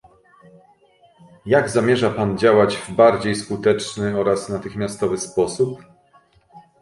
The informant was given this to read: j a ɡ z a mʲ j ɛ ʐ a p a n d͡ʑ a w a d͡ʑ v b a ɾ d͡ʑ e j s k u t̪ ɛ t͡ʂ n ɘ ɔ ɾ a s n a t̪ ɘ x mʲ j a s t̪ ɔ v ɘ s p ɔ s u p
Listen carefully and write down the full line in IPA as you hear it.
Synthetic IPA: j a ɡ z a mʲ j ɛ ʐ a p a n d͡ʑ a w a d͡ʑ v b a ɾ d͡ʑ e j s k u t̪ ɛ t͡ʂ n ɘ ɔ ɾ a s n a t̪ ɘ x mʲ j a s t̪ ɔ v ɘ s p ɔ s u p